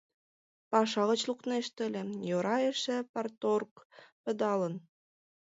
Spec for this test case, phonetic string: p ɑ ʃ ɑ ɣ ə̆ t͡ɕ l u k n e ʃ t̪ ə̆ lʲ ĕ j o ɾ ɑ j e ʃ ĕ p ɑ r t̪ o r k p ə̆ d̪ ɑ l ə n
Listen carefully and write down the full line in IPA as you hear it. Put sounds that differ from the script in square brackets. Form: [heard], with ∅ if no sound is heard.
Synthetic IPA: p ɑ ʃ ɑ ɣ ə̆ t͡ɕ l u k n e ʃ t̪ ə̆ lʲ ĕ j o ɾ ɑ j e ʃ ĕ p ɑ r t̪ o r k p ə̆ d̪ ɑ l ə n